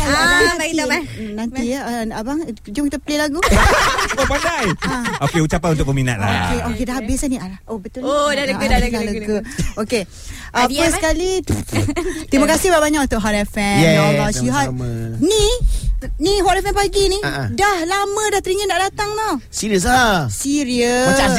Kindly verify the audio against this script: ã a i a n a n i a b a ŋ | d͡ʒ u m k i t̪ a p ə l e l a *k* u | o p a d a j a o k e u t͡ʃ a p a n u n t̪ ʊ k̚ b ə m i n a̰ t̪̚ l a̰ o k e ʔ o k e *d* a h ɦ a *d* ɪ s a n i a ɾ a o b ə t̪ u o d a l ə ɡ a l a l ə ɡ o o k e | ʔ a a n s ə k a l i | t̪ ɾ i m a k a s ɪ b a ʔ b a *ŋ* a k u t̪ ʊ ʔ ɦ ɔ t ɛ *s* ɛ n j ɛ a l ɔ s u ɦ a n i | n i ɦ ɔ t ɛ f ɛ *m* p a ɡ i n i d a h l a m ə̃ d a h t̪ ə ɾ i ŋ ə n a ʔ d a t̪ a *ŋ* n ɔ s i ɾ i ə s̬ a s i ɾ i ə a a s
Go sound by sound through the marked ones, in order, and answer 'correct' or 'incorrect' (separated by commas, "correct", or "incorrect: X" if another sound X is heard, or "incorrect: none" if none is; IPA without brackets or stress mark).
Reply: incorrect: ɡ, correct, incorrect: b, incorrect: ɲ, incorrect: f, incorrect: n, correct